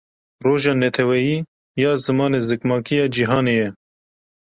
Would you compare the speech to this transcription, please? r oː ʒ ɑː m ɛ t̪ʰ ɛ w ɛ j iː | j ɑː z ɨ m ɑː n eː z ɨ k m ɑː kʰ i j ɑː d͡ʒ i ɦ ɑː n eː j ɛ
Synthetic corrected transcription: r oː ʒ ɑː n ɛ t̪ʰ ɛ w ɛ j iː | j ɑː z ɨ m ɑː n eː z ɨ k m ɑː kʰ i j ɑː d͡ʒ i ɦ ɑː n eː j ɛ